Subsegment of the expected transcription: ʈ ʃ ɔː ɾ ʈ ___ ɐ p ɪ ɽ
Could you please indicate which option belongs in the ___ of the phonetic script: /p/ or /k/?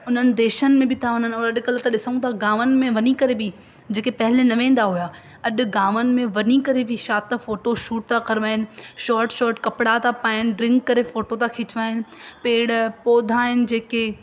k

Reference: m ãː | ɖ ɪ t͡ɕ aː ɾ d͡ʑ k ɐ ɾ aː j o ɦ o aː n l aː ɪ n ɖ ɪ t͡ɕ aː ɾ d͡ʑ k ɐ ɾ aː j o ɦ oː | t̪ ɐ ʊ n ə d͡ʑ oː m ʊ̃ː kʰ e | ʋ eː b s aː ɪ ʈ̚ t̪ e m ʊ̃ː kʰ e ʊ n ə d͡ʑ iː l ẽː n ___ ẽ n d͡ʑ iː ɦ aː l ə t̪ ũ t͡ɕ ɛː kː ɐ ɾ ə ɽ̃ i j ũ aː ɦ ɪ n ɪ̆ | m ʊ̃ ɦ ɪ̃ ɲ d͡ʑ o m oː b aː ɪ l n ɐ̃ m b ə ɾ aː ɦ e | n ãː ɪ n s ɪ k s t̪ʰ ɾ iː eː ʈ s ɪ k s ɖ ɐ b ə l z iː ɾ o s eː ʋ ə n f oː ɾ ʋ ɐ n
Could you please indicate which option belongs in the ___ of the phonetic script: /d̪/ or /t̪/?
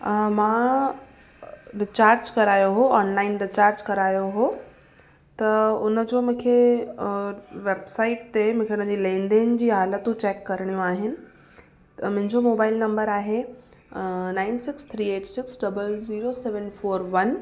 d̪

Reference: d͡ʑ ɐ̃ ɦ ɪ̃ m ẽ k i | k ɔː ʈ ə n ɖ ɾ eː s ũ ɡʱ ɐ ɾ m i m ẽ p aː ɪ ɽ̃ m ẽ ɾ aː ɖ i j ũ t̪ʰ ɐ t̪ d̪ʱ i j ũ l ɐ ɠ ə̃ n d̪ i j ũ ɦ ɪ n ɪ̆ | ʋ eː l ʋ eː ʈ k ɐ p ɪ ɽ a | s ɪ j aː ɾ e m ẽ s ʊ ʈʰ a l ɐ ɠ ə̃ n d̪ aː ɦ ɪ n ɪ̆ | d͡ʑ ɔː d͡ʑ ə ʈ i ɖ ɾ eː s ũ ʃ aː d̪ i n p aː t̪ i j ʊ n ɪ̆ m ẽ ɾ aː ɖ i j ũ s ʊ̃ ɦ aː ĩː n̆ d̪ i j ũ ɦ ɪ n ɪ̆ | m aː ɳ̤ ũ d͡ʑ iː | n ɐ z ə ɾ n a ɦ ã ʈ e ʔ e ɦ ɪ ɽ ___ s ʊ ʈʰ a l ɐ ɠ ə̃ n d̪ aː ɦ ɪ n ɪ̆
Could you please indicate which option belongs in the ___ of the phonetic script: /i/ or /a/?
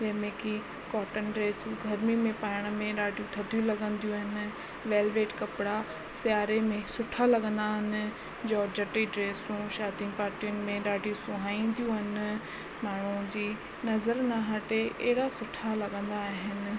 a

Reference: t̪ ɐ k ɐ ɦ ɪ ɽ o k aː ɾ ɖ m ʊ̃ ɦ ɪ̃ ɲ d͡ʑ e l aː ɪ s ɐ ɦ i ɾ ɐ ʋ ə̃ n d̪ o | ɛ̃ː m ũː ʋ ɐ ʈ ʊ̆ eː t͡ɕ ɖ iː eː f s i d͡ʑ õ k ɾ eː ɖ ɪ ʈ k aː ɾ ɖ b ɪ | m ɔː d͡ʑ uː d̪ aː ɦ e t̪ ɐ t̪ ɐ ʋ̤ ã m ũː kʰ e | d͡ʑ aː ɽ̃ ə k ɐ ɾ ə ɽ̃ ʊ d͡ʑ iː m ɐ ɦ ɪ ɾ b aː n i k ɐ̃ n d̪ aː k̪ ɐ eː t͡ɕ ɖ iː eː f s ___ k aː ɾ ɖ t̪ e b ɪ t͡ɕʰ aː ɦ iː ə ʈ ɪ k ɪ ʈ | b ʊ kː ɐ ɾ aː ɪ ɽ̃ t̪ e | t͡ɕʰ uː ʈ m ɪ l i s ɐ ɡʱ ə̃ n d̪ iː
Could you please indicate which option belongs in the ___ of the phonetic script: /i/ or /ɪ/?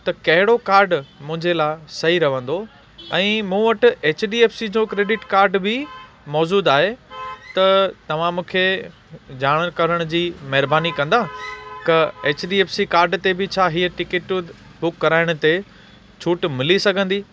i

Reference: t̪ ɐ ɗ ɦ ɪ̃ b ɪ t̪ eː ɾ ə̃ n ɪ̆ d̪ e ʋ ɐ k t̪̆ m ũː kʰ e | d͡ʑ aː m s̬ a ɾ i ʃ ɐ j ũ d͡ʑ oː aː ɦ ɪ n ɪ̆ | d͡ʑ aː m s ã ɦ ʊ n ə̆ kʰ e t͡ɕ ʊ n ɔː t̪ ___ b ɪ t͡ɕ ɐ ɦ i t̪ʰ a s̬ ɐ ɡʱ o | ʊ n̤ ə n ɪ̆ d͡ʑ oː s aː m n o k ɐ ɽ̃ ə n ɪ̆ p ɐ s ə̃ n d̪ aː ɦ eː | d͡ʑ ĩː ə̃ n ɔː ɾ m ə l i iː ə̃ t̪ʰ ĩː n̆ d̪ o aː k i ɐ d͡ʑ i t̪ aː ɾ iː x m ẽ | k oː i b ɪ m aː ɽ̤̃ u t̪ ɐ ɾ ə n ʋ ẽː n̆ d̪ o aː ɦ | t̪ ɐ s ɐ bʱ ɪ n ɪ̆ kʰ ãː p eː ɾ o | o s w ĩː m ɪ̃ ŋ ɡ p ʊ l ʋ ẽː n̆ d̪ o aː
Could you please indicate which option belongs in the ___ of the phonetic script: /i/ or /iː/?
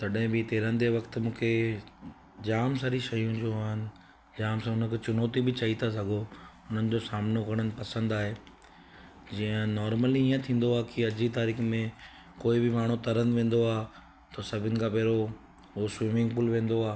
i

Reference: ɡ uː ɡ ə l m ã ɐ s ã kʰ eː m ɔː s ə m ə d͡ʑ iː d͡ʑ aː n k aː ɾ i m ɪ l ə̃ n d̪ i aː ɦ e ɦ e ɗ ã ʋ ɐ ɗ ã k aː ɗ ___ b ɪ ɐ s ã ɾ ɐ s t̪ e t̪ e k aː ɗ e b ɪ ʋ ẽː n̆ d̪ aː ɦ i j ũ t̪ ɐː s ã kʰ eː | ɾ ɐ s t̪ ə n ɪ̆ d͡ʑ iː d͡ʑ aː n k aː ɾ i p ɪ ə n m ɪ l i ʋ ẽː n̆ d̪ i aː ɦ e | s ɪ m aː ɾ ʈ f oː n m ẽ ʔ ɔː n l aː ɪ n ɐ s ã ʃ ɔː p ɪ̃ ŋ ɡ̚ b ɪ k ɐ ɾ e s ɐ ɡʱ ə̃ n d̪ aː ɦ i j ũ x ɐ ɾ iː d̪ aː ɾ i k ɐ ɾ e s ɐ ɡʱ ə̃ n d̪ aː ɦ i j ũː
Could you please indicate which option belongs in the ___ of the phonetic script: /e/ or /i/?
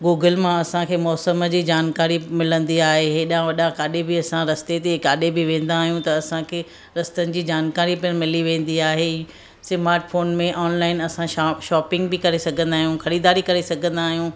e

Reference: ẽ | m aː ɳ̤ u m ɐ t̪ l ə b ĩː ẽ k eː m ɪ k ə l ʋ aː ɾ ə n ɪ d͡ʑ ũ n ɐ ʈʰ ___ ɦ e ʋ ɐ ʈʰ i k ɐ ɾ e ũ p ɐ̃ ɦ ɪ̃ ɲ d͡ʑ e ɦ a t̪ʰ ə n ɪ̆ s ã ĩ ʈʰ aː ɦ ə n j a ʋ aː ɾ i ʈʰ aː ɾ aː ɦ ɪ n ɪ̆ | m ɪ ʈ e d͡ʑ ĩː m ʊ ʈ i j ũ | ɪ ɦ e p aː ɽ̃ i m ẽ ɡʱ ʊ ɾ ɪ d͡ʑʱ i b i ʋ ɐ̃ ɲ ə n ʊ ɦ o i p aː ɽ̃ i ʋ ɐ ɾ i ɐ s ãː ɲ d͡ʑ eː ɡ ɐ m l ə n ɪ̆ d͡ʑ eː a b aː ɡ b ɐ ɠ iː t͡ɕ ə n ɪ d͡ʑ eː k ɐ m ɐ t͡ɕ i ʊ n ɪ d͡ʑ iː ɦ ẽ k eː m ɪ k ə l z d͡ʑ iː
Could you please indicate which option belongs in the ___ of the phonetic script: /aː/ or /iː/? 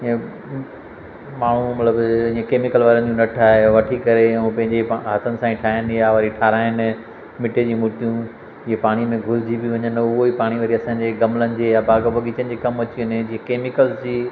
aː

